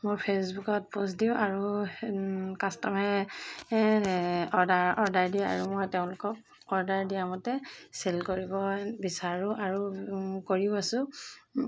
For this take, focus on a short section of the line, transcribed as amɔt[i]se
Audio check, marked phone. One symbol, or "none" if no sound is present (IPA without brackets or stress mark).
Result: ɛ